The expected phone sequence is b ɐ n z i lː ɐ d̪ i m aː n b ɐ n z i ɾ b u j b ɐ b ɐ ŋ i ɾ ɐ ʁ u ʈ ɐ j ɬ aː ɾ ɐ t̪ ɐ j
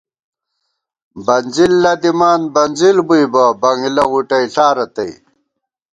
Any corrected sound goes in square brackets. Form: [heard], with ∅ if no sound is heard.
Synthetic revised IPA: b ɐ n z i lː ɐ d̪ i m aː n b ɐ n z i [l] b u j b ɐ b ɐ ŋ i [l] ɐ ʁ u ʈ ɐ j ɬ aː ɾ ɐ t̪ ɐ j

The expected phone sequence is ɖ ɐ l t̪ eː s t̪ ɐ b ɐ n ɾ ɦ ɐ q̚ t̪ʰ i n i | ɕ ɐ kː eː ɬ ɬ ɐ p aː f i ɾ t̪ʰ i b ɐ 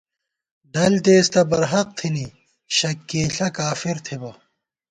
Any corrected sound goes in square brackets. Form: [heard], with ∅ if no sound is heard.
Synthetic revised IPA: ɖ ɐ l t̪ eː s t̪ ɐ b ɐ [∅] ɾ ɦ ɐ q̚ t̪ʰ i n i | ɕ ɐ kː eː ɬ ɬ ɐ [k] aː f i ɾ t̪ʰ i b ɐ

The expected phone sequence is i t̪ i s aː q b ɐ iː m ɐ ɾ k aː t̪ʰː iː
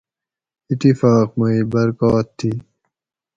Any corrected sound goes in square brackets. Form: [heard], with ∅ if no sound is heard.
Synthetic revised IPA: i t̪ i [f] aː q [m] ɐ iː [b] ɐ ɾ k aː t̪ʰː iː

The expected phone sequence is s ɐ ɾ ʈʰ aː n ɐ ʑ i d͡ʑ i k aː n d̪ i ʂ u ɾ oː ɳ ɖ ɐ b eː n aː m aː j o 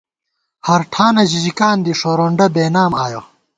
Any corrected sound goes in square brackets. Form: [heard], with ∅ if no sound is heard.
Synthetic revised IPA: [h] ɐ ɾ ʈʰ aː n ɐ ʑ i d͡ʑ i k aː n d̪ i ʂ [o] ɾ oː ɳ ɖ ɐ b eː n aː m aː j o

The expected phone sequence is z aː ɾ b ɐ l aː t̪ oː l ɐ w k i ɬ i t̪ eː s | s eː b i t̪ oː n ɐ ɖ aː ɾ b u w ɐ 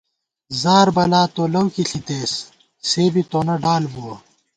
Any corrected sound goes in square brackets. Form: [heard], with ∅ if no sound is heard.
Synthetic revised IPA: z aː ɾ b ɐ l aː t̪ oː l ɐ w k i ɬ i t̪ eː s | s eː b i t̪ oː n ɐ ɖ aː [l] b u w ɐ

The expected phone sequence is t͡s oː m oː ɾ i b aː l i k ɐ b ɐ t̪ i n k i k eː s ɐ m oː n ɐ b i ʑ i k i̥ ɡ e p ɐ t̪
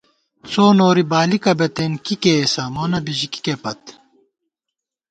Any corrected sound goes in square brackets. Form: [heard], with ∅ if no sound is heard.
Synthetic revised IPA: t͡s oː [n] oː ɾ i b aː l i k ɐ b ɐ t̪ [e] n k i k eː s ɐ m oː n ɐ b i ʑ i k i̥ [k] e p ɐ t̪

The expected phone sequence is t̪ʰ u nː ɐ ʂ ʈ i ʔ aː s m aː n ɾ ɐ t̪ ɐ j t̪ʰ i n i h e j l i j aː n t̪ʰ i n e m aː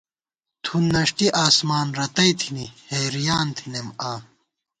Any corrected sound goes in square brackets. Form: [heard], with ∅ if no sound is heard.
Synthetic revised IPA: t̪ʰ u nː ɐ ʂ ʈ i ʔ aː s m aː n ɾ ɐ t̪ ɐ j t̪ʰ i n i h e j [ɾ] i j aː n t̪ʰ i n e m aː

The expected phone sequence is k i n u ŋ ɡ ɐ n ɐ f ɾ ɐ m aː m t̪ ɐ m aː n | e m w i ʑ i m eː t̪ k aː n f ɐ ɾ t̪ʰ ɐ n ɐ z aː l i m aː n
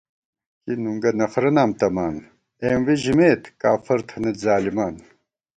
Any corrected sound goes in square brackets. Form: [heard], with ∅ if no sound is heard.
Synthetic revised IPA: k i n u ŋ ɡ ɐ n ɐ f ɾ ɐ [n] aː m t̪ ɐ m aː n | e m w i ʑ i m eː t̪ k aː [∅] f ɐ ɾ t̪ʰ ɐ n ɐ z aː l i m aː n

